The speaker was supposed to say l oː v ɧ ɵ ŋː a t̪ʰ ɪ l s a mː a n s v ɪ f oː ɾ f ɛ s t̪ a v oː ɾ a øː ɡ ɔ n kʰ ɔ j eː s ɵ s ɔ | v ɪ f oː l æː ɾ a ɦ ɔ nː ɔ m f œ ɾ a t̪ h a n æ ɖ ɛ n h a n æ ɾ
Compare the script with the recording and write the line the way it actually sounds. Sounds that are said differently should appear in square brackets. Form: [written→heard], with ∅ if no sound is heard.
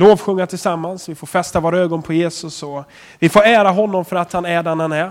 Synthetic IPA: l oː v ɧ ɵ ŋː a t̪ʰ ɪ l s a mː a n s v ɪ f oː ɾ f ɛ s t̪ a v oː ɾ a øː ɡ ɔ n [kʰ→pʰ] ɔ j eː s ɵ s ɔ | v ɪ f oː [l→ɾ] æː ɾ a ɦ ɔ nː ɔ m f œ ɾ a t̪ h a n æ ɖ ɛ n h a n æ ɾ